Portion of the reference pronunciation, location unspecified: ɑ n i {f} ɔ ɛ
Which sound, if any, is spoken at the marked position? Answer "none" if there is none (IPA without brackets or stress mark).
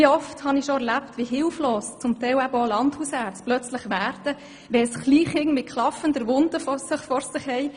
ʃ